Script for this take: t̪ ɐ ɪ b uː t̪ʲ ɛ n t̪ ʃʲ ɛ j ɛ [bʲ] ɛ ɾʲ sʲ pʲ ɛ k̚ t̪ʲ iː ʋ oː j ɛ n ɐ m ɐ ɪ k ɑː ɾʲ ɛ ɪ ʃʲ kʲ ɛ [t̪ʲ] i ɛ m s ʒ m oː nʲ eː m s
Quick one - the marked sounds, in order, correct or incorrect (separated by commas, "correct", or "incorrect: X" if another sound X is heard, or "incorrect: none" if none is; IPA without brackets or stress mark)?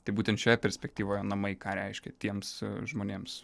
incorrect: pʲ, correct